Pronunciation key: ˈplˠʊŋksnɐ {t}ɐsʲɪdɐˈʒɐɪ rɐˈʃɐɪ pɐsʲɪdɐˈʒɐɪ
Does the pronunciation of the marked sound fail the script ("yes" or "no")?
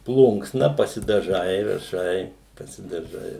yes